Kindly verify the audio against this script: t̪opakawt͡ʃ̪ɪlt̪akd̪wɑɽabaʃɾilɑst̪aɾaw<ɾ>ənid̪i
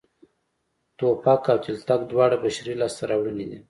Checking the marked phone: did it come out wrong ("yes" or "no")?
yes